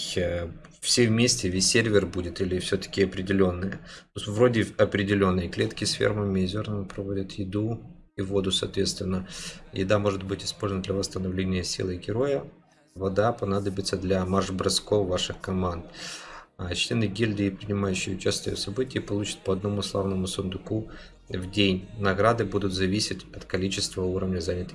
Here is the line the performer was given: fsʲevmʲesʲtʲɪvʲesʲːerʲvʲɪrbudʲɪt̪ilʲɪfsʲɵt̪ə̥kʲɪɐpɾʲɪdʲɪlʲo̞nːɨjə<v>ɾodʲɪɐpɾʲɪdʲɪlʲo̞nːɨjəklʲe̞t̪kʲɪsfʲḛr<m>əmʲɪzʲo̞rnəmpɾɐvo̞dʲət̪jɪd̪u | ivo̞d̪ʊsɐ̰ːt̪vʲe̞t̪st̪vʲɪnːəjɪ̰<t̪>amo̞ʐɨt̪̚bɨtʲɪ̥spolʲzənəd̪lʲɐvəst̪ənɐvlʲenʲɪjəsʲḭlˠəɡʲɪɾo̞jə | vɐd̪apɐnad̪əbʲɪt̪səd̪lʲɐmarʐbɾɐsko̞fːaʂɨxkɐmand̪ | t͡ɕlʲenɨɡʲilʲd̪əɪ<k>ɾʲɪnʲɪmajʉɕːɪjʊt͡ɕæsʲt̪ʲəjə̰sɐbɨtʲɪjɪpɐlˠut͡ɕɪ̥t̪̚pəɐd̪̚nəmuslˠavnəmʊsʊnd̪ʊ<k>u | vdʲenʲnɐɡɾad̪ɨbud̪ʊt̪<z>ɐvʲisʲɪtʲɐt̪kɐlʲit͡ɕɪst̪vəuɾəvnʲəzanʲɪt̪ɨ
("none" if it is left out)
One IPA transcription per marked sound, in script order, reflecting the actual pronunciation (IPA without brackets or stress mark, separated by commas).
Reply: v, m, d̪, p, k, z